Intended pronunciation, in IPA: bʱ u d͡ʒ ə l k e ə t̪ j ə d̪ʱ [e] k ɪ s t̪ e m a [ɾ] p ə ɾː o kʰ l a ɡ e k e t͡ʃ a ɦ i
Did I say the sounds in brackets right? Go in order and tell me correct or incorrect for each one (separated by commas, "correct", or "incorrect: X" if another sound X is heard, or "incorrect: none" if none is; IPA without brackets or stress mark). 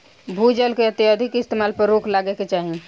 incorrect: i, incorrect: l